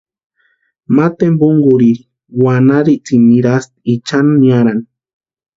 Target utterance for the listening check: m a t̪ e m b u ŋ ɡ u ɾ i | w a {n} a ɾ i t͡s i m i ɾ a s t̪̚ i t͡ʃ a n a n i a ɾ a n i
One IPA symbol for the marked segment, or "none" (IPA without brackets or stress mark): n